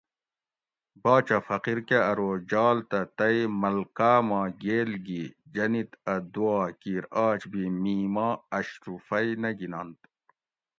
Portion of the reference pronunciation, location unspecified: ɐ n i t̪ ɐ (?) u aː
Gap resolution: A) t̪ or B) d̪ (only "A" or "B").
B